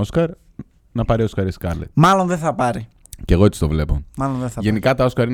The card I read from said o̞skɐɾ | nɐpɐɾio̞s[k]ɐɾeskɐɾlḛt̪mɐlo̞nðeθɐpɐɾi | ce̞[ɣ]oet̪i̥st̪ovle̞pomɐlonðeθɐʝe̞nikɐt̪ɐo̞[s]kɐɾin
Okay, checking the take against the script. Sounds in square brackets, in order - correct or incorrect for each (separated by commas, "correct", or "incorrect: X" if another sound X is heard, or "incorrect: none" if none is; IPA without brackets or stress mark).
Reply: correct, correct, correct